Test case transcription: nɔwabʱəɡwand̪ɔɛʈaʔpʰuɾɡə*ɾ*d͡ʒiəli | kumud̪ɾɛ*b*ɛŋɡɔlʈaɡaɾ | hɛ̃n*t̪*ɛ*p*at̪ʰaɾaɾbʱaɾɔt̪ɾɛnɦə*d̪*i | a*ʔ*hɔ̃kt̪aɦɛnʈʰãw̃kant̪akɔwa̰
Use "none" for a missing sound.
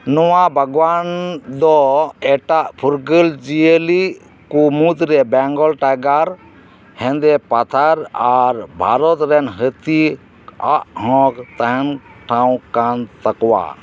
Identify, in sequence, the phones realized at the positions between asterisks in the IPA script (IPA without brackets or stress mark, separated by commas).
l, b, d̪, p, t̪, ʔ